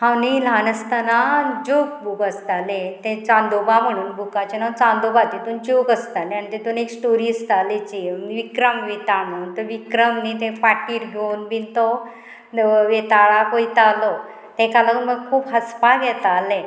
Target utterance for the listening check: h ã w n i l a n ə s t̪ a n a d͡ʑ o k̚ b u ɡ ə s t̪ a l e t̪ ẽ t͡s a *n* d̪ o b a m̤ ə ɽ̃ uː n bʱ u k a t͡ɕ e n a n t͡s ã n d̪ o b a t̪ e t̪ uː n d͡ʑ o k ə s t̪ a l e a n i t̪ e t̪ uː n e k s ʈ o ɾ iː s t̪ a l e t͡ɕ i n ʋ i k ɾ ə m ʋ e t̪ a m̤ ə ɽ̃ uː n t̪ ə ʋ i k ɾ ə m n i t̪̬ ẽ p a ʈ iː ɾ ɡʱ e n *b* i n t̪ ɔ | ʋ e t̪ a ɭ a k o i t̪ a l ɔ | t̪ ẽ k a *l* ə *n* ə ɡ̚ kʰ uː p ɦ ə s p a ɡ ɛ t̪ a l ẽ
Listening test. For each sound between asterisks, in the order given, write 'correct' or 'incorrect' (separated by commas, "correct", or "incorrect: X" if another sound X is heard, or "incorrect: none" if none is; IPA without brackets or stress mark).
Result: correct, correct, correct, incorrect: m